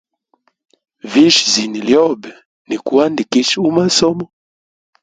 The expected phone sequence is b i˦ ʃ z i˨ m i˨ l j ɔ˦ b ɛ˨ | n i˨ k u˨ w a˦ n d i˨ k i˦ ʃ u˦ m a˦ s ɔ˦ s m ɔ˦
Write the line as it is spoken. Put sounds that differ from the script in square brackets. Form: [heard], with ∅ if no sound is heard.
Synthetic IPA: [v] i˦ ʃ z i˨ [n] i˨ l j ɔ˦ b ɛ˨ | n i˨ k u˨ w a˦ n d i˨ k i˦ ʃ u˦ m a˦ s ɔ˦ [∅] m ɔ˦